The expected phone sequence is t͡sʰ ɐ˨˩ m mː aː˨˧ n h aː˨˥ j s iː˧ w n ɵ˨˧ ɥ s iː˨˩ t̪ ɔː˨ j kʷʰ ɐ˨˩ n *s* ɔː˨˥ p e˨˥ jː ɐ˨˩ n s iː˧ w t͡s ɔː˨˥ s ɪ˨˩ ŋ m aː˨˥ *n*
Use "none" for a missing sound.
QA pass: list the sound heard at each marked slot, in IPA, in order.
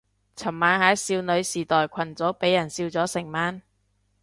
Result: t͡s, n

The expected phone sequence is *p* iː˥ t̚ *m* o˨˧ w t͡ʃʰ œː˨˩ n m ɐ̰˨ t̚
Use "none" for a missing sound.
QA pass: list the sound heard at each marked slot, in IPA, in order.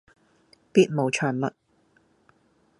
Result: p, m

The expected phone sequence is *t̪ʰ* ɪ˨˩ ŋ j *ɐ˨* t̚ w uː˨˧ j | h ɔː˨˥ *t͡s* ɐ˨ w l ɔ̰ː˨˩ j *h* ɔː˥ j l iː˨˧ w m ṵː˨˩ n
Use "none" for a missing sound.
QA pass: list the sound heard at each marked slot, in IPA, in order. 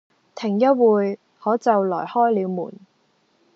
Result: t̪ʰ, ɐ˥, t͡s, h

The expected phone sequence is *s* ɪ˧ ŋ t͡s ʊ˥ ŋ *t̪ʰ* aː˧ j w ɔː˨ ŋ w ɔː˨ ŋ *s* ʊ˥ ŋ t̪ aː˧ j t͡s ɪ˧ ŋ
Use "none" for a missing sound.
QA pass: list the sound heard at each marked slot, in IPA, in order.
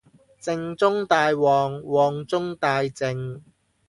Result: t͡s, t̪, t͡s

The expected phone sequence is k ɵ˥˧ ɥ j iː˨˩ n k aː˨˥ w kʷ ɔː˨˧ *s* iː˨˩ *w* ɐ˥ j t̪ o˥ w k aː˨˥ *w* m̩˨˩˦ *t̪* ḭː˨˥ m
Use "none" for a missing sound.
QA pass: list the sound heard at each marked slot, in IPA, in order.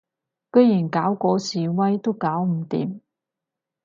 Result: s, w, w, t̪

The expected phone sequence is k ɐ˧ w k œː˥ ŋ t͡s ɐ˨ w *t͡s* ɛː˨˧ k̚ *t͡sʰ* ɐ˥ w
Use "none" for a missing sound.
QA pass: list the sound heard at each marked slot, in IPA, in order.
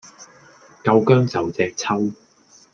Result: t͡s, t͡sʰ

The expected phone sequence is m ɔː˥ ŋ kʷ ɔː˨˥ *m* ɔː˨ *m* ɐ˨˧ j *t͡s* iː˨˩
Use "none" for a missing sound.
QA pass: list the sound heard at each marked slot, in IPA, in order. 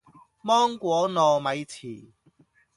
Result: n, m, t͡sʰ

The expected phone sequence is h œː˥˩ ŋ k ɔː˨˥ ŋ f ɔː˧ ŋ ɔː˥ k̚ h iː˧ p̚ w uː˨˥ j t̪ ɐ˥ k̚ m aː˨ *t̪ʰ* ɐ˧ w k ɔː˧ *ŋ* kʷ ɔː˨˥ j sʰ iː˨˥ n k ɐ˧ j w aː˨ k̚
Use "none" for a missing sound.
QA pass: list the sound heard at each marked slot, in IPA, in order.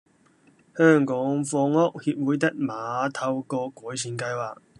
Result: t̪ʰ, none

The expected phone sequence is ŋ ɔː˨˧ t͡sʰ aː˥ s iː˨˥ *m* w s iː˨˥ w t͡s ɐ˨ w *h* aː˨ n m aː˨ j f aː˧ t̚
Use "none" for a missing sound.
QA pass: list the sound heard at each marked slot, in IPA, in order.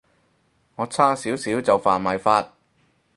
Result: none, f

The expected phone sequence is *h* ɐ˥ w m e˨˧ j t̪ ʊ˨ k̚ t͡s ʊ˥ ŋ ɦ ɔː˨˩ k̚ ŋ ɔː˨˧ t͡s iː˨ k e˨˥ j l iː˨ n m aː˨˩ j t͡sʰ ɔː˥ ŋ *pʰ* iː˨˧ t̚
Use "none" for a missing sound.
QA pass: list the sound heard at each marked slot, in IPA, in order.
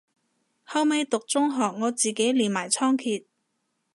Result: h, kʰ

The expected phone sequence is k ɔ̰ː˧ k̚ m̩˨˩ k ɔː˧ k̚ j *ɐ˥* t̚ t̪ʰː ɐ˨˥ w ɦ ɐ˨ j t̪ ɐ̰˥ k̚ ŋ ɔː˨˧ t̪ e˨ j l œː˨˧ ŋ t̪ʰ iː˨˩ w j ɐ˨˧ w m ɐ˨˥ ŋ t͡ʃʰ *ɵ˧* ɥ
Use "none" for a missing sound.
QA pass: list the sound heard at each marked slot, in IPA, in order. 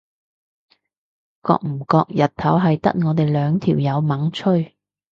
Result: ɐ˨, ɵ˥

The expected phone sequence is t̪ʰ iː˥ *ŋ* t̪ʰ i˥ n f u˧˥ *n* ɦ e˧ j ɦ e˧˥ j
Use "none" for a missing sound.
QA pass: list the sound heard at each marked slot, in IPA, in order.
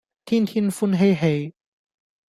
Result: n, n

